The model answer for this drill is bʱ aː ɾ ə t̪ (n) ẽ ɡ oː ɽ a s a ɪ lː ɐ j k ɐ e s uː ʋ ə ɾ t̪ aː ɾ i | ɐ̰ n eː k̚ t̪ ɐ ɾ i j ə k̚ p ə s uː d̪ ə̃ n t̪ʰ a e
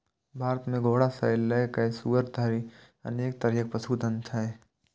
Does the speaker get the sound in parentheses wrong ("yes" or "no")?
yes